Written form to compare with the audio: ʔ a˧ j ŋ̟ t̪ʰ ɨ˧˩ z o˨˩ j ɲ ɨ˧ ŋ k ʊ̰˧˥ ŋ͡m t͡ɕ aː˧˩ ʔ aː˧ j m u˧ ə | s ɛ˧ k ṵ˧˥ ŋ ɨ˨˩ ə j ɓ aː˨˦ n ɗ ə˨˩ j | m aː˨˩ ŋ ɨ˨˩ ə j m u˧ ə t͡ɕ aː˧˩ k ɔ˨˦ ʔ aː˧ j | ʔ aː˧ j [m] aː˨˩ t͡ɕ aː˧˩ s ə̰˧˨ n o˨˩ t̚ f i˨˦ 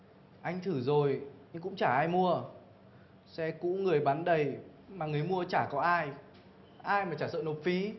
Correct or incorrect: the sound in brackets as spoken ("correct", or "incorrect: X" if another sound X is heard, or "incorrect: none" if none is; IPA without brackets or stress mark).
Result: correct